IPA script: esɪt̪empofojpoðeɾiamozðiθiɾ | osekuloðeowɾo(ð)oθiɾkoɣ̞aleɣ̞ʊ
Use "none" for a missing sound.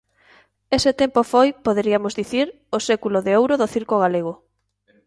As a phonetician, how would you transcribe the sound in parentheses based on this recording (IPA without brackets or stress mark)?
ð